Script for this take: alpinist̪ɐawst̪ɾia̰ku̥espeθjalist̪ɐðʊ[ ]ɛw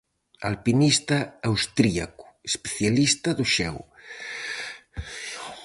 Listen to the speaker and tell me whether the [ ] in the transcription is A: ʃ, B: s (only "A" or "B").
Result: A